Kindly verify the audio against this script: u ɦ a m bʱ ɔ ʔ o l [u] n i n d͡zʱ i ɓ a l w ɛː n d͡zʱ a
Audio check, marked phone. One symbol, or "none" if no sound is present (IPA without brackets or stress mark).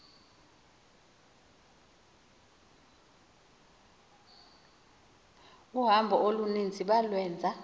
u